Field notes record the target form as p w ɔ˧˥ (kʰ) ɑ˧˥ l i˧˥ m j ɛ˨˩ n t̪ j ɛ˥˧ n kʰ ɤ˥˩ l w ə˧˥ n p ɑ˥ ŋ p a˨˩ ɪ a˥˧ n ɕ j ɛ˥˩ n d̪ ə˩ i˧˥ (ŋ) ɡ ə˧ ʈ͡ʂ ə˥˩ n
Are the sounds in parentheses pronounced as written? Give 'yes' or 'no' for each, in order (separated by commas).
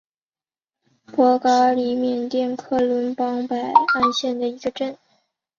no, no